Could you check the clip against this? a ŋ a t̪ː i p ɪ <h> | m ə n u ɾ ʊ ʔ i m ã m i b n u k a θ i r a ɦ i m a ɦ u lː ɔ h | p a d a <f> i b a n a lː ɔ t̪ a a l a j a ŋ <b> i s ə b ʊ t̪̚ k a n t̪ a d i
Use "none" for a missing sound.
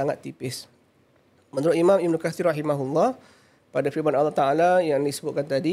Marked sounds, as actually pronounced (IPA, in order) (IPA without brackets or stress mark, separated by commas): s, f, d